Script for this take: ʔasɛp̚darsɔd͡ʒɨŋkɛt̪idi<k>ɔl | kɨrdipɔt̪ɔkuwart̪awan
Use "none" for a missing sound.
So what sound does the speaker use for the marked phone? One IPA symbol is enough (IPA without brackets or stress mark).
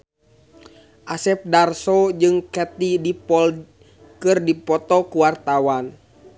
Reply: p